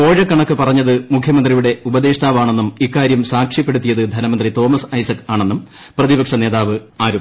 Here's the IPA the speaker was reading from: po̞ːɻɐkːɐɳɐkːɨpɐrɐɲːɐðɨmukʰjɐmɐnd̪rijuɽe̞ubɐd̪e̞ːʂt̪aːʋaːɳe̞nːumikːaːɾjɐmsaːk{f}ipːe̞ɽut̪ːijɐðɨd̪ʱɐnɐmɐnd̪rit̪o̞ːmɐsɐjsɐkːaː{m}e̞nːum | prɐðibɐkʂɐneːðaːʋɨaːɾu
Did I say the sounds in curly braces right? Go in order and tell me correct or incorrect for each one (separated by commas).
incorrect, incorrect